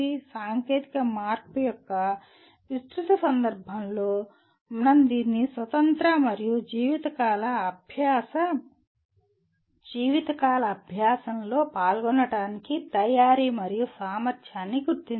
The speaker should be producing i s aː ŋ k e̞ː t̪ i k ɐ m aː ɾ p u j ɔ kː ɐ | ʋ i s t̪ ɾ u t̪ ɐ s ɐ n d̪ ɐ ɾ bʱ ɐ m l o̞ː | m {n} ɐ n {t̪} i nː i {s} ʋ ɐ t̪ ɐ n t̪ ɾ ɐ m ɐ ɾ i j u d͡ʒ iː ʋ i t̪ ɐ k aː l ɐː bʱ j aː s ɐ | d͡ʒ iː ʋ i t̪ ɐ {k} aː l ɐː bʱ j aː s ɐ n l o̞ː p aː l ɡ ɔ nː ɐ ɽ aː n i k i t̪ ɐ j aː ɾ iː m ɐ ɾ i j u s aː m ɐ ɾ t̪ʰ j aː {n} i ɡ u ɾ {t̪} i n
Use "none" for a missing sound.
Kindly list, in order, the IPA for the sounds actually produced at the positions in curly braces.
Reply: n, d̪, s, k, nː, t̪

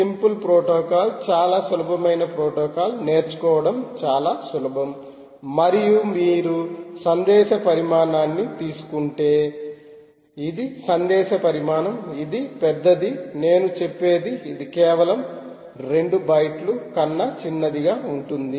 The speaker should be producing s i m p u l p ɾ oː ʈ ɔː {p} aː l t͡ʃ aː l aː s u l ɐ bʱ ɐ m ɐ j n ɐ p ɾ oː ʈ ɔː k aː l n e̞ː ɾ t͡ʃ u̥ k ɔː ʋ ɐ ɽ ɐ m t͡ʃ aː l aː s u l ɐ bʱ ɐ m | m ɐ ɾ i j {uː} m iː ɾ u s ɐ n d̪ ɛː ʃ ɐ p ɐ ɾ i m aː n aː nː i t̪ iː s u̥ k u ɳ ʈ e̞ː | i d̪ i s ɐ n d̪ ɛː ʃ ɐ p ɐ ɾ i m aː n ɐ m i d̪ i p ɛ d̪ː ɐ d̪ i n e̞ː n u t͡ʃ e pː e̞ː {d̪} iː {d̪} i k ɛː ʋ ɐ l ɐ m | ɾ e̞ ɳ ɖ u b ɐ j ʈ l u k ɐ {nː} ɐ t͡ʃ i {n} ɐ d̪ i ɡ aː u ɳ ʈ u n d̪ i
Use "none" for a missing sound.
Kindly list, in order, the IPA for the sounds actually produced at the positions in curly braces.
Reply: k, u, d̪, d̪, nː, nː

